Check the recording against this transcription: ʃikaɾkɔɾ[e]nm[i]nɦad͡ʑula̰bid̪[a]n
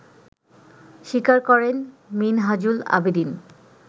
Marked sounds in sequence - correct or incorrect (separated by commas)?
correct, correct, incorrect